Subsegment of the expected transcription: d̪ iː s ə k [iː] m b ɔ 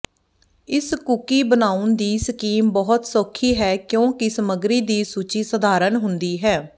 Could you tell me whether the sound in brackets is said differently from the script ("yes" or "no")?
no